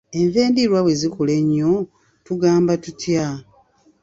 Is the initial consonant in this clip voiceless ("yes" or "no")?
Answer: no